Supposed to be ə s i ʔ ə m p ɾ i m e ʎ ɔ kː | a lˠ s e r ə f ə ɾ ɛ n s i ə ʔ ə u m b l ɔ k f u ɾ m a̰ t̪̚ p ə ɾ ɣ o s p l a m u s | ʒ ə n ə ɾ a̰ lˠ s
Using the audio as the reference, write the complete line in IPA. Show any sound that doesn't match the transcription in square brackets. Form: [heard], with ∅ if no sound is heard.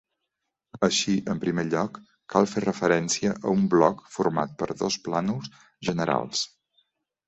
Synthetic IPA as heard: ə [ʃ] i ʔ ə m p ɾ i m e ʎ ɔ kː | a lˠ [f] e r ə f ə ɾ ɛ n s i ə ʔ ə u m b l ɔ k f u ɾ m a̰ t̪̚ p ə ɾ [ð] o s p l a [n] u s | ʒ ə n ə ɾ a̰ lˠ s